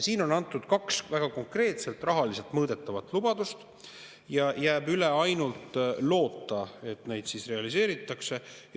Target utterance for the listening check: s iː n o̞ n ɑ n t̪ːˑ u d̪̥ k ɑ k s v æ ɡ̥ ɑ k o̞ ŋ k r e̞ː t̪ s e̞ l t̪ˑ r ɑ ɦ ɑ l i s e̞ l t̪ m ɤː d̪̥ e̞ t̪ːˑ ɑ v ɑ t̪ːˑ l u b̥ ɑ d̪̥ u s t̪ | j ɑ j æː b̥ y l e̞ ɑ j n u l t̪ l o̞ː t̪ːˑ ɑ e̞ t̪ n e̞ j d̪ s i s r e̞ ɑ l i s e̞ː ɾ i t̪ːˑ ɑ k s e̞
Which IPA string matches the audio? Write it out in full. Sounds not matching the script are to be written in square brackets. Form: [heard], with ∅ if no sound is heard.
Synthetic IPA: s iː n o̞ n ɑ n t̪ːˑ u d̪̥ k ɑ k s v æ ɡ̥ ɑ k o̞ ŋ k r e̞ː t̪ s e̞ l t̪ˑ r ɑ ɦ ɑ l i s e̞ l t̪ m ɤː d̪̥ e̞ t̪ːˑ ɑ v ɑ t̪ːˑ l u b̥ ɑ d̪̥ u s t̪ | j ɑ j æː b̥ y l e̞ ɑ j n u l t̪ l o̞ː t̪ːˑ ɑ e̞ t̪ n e̞ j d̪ s i s r e̞ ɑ l i s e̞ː ɾ i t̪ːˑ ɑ k s e̞